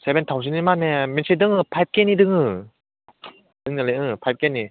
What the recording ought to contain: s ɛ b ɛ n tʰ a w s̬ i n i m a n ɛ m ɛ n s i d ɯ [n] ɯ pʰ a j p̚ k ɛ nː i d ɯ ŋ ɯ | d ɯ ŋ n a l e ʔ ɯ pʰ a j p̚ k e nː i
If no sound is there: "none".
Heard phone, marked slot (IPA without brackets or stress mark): ŋ